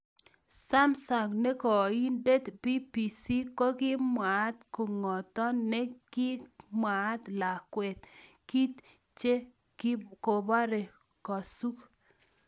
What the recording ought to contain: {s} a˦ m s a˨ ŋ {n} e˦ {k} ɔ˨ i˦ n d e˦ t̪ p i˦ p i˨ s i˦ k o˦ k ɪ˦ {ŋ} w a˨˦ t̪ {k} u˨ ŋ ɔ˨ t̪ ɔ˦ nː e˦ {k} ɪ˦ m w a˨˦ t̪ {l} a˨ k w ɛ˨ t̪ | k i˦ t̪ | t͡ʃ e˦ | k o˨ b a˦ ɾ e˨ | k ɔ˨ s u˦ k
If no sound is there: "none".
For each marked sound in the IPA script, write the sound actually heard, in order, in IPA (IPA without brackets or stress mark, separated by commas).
s, n, k, m, k, k, l